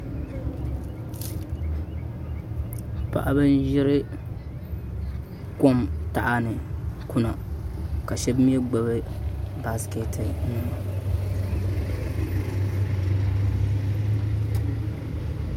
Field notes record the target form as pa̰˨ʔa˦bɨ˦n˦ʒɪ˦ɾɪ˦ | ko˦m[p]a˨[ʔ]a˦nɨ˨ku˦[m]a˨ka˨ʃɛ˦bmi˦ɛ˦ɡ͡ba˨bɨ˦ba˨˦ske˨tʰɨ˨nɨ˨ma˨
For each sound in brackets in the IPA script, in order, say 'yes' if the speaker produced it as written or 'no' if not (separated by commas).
no, yes, no